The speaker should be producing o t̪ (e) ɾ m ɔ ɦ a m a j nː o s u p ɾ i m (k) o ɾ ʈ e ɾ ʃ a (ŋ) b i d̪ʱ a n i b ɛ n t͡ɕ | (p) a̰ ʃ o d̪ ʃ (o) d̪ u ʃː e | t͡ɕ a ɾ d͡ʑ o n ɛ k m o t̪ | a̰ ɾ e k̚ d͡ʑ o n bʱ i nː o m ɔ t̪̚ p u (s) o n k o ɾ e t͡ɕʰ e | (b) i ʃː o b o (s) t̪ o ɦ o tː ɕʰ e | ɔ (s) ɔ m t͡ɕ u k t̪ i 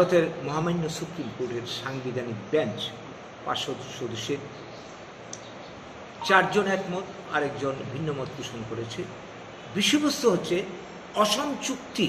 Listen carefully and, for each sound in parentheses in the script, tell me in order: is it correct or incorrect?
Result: correct, correct, correct, correct, correct, incorrect, correct, correct, incorrect

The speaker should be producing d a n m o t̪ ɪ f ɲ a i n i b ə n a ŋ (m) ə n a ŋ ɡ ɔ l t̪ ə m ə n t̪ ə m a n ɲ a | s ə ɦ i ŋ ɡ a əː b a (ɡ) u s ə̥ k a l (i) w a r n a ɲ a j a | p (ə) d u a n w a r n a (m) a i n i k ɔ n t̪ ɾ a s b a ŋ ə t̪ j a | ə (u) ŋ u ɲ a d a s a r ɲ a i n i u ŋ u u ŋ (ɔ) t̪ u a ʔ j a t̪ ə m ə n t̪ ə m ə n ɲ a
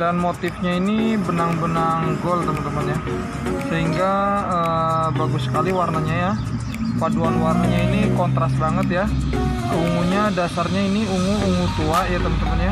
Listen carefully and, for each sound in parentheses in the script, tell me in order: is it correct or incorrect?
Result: incorrect, correct, correct, incorrect, incorrect, correct, incorrect

